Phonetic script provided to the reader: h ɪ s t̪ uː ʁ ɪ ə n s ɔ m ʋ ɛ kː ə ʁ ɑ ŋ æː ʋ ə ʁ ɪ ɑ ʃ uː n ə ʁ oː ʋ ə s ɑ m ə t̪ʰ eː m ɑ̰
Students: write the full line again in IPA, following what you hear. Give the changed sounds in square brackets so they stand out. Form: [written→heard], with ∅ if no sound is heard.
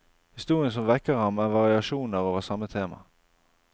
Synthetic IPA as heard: h ɪ s t̪ uː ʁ ɪ ə n s ɔ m ʋ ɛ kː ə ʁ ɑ [ŋ→m] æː ʋ [ə→ɑ] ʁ ɪ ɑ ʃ uː n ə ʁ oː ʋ ə s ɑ m ə t̪ʰ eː m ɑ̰

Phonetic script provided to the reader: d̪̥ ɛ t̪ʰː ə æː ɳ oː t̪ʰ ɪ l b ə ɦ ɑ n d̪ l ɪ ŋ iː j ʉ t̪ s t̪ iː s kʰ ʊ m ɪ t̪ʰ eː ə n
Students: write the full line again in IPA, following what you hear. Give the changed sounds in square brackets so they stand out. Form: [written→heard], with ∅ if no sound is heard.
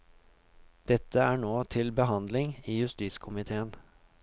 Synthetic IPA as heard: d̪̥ ɛ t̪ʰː ə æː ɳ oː t̪ʰ ɪ l b ə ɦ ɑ n d̪ l ɪ ŋ iː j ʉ [t̪→∅] s t̪ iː s kʰ ʊ m ɪ t̪ʰ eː ə n

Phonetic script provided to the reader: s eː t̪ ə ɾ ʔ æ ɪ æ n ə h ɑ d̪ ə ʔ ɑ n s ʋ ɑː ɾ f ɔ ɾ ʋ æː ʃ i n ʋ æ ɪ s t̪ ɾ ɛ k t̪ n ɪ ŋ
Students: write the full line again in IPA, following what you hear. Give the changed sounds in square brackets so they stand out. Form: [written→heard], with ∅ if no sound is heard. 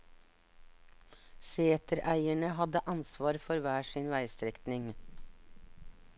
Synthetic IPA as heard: s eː t̪ ə ɾ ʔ æ ɪ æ [n→ɳ] ə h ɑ d̪ ə ʔ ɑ n s ʋ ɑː ɾ f ɔ ɾ ʋ æː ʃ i n ʋ æ ɪ s t̪ ɾ ɛ k t̪ n ɪ ŋ

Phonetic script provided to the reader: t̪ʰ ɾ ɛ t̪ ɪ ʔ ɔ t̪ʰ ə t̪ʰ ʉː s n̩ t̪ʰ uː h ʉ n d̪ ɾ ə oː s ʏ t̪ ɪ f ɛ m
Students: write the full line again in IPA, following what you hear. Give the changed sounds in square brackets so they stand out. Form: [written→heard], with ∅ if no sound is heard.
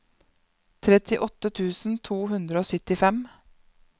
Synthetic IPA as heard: t̪ʰ ɾ ɛ t̪ ɪ ʔ ɔ [t̪ʰ→t̪] ə t̪ʰ ʉː s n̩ t̪ʰ uː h ʉ n d̪ ɾ ə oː s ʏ t̪ ɪ f ɛ m

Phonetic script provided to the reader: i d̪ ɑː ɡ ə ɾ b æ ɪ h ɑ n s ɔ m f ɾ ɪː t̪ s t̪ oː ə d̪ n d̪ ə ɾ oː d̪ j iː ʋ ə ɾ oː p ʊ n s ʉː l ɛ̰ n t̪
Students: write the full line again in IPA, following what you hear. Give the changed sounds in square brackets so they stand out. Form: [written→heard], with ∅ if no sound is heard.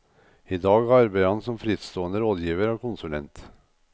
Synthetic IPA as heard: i d̪ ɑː ɡ [ə→ɑ] ɾ b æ ɪ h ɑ n s ɔ m f ɾ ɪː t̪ s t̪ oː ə [d̪→∅] n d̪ ə ɾ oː d̪ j iː ʋ ə ɾ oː [p→k] ʊ n s [ʉː→ʉ] l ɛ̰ n t̪

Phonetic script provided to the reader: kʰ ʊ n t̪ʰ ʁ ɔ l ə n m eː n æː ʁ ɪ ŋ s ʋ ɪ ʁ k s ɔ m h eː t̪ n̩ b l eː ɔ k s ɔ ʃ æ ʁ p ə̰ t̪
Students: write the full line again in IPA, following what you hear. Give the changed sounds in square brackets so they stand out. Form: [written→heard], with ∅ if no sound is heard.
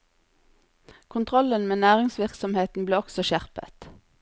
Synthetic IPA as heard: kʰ ʊ n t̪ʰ ʁ ɔ l ə n m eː n æː ʁ ɪ ŋ s ʋ ɪ ʁ k s ɔ m h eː t̪ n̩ b l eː ɔ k s ɔ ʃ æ ʁ p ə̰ t̪

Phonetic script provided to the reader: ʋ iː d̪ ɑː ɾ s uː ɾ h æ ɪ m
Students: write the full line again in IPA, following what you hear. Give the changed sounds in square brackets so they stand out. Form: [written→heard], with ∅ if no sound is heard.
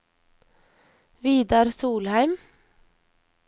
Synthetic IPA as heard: ʋ iː d̪ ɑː ɾ s uː [ɾ→l] h æ ɪ m

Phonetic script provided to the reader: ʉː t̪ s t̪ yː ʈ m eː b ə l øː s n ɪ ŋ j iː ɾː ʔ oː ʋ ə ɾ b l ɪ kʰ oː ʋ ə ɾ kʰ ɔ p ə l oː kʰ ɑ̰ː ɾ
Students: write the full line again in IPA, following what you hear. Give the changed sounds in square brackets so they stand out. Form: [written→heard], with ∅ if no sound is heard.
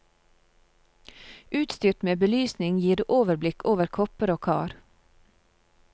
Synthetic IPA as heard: ʉː t̪ s t̪ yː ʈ m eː b ə l [øː→yː] s n ɪ ŋ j iː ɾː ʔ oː ʋ ə ɾ b l ɪ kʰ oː ʋ ə ɾ kʰ ɔ p ə [l→ɾ] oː kʰ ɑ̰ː ɾ

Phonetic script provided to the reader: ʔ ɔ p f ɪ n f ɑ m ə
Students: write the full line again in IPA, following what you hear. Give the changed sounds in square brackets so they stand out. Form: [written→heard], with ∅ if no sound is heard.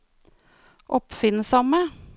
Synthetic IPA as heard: ʔ ɔ p f ɪ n [f→s] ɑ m ə

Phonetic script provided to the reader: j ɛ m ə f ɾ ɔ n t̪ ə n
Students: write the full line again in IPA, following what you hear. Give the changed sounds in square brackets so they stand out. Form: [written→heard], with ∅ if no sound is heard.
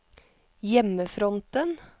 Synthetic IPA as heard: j ɛ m ə f ɾ ɔ n t̪ ə n

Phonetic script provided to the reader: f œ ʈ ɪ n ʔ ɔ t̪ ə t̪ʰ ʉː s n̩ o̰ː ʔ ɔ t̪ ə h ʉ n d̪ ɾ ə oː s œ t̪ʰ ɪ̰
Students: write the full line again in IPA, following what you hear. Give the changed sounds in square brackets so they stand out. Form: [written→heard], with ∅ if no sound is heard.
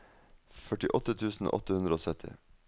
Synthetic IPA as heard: f œ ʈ ɪ [n→∅] ʔ ɔ t̪ ə t̪ʰ ʉː s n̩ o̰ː ʔ ɔ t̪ ə h ʉ n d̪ ɾ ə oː s œ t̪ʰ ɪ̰

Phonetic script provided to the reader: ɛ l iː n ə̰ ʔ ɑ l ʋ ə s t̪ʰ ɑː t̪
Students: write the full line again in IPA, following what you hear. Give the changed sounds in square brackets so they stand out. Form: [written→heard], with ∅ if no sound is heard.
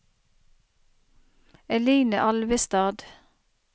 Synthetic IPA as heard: ɛ l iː n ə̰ ʔ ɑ l ʋ ə s [t̪ʰ→t̪] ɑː [t̪→d̪]

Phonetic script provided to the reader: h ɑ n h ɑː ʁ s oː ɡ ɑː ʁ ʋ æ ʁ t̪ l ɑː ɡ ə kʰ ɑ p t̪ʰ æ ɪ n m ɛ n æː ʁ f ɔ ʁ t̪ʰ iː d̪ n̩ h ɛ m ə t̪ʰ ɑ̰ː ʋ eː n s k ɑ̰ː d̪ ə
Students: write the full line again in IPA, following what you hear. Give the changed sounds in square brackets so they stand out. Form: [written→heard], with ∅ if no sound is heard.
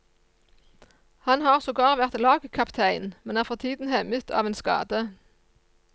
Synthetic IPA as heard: h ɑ n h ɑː ʁ s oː ɡ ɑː ʁ ʋ æ ʁ t̪ l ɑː ɡ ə kʰ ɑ p t̪ʰ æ ɪ n m ɛ n æː ʁ f ɔ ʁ t̪ʰ iː d̪ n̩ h ɛ m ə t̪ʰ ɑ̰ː ʋ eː n s k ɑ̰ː d̪ ə

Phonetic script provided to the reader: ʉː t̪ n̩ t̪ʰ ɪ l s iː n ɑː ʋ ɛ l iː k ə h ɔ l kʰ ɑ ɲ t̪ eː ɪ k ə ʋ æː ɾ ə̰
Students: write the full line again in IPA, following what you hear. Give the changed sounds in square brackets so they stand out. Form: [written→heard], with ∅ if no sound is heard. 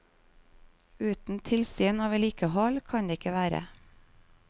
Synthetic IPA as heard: ʉː t̪ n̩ t̪ʰ ɪ l s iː n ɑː ʋ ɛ l iː k ə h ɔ l kʰ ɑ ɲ [t̪→d̪] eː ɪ k ə ʋ æː ɾ ə̰

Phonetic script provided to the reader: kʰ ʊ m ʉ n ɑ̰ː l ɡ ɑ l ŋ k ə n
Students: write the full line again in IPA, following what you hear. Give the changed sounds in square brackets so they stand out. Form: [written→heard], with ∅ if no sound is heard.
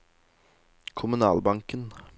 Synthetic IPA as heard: kʰ ʊ m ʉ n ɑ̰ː l [ɡ→b] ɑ [l→∅] ŋ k ə n

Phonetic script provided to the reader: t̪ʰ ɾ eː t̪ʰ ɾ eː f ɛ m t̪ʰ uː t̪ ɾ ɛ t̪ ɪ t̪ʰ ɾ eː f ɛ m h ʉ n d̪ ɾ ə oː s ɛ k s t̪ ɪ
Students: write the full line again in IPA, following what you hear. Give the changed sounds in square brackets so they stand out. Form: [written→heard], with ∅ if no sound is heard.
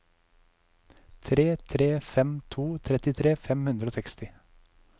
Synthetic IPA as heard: t̪ʰ ɾ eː t̪ʰ ɾ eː f ɛ m t̪ʰ uː [t̪→t̪ʰ] ɾ ɛ t̪ ɪ t̪ʰ ɾ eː f ɛ m h ʉ n d̪ ɾ ə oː s ɛ k s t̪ ɪ

